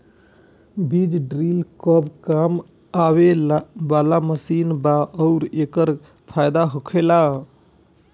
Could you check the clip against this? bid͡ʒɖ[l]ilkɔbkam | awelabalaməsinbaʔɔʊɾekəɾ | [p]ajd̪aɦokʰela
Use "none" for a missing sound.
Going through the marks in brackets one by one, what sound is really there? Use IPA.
ɾ, pʰ

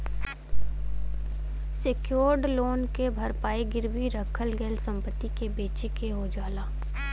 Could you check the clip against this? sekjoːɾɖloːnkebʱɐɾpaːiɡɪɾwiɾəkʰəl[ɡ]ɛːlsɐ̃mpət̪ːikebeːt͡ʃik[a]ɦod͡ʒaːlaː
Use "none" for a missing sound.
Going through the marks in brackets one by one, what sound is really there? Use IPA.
ɡ, e

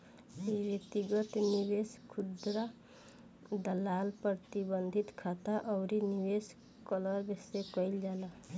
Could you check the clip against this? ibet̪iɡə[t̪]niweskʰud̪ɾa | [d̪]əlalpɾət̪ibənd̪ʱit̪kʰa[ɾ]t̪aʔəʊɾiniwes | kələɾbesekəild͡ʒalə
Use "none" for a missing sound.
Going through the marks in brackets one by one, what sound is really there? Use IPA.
t̪, d̪, none

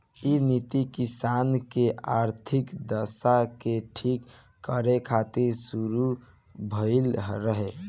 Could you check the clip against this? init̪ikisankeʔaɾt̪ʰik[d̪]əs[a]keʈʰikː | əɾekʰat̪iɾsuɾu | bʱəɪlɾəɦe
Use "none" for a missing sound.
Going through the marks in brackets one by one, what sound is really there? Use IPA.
d̪, a

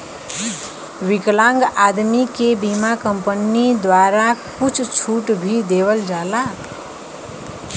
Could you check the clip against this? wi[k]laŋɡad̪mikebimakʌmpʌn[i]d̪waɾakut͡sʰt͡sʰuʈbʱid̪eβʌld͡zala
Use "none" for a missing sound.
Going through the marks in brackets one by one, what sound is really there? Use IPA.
k, i

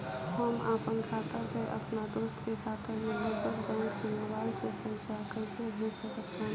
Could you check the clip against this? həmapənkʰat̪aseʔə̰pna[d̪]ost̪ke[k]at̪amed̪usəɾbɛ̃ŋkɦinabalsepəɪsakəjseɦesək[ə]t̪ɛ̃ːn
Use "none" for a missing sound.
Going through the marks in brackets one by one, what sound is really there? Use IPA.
d̪, kʰ, ə

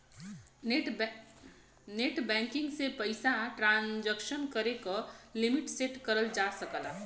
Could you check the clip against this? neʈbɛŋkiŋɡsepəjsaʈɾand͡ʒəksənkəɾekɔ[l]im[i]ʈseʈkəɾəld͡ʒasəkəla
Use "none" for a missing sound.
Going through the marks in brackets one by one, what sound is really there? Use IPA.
l, i

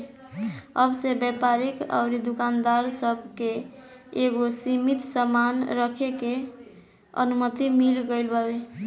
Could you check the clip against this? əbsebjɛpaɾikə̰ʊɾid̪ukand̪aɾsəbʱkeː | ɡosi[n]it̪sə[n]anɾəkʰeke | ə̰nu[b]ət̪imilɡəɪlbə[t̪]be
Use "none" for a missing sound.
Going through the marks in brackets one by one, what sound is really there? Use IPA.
m, m, m, none

